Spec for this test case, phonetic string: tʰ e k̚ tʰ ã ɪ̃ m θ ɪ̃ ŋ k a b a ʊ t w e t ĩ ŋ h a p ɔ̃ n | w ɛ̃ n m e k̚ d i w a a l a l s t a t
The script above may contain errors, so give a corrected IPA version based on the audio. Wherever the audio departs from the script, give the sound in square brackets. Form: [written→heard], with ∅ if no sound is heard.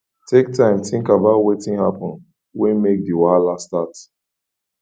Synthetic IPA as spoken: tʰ e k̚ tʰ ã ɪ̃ m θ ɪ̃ ŋ k a b a ʊ t w e t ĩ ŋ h a p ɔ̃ n | w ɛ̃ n m e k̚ d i w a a l a [l→∅] s t a t